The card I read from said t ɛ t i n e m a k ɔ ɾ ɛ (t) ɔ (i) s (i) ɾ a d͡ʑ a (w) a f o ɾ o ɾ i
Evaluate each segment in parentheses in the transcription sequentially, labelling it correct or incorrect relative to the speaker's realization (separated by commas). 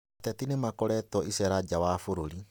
correct, correct, incorrect, correct